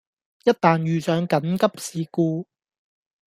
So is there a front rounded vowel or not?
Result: yes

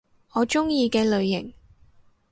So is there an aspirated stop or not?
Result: no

